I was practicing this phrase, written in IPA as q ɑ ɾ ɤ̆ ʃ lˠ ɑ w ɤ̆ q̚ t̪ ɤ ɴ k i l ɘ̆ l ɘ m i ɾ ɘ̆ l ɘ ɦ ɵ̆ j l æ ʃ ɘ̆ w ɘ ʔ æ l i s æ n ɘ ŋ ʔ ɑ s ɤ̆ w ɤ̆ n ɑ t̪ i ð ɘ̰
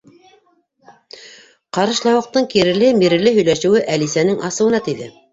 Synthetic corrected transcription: q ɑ ɾ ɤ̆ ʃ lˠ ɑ w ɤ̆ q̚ t̪ ɤ ɴ k i ɾ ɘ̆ l ɘ m i ɾ ɘ̆ l ɘ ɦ ɵ̆ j l æ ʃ ɘ̆ w ɘ ʔ æ l i s æ n ɘ ŋ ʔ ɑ s ɤ̆ w ɤ̆ n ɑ t̪ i ð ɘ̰